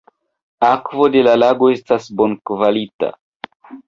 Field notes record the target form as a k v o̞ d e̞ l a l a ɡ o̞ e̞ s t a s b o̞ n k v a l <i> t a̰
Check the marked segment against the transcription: correct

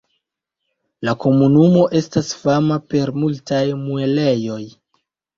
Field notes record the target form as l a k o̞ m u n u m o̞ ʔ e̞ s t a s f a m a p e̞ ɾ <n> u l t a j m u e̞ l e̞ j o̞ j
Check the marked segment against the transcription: incorrect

